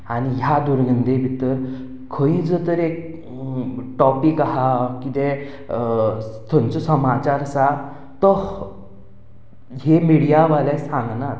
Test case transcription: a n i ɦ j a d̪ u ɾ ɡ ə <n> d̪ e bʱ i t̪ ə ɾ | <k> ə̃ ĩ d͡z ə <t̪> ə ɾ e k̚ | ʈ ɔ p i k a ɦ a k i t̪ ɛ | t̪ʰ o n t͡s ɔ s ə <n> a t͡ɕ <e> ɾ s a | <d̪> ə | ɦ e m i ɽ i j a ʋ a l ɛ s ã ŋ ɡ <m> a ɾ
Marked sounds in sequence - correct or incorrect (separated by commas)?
correct, incorrect, correct, incorrect, incorrect, incorrect, incorrect